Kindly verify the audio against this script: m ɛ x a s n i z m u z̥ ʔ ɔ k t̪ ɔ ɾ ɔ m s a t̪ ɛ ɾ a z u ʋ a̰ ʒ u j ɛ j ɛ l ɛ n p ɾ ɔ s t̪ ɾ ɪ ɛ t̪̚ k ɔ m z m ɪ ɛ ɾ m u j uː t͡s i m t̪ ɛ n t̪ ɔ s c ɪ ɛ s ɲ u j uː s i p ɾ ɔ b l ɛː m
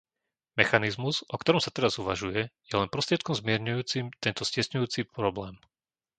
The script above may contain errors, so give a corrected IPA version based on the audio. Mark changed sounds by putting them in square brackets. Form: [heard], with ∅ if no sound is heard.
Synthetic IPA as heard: m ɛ x a [∅] n i z m u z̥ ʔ ɔ k t̪ ɔ ɾ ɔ m s a t̪ ɛ ɾ a z u ʋ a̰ ʒ u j ɛ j ɛ l ɛ n p ɾ ɔ s t̪ ɾ ɪ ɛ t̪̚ k ɔ m z m ɪ ɛ ɾ [ɲ] u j uː t͡s i m t̪ ɛ n t̪ ɔ s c ɪ ɛ s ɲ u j uː [t͡s] i p ɾ ɔ b l ɛː m